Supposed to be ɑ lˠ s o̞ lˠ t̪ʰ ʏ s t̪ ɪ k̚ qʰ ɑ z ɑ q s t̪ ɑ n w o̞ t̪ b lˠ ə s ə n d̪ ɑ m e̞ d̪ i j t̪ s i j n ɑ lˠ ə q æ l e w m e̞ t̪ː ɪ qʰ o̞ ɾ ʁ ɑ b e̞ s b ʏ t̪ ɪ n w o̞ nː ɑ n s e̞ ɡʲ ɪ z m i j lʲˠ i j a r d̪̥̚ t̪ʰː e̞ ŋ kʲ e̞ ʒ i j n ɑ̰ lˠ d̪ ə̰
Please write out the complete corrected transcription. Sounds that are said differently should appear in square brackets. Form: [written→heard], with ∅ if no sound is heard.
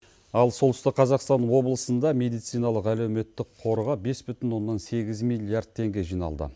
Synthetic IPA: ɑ lˠ s o̞ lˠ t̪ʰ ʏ s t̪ ɪ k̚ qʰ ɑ z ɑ q s t̪ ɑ n w o̞ [t̪→∅] b lˠ ə s ə n d̪ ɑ m e̞ d̪ i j t̪ s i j n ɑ lˠ ə q æ l e w m e̞ t̪ː ɪ qʰ o̞ ɾ ʁ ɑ b e̞ s b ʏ t̪ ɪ n w o̞ nː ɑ n s e̞ ɡʲ ɪ z m i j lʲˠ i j a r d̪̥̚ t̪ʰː e̞ ŋ [kʲ→ɡʲ] e̞ ʒ i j n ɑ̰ lˠ d̪ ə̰